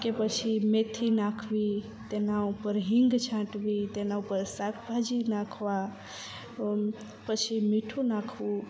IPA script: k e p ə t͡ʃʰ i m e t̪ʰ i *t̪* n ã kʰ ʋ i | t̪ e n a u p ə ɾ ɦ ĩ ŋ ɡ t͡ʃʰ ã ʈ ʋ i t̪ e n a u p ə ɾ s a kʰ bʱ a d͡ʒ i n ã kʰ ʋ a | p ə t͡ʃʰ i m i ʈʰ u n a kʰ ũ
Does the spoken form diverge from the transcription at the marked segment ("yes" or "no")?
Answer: yes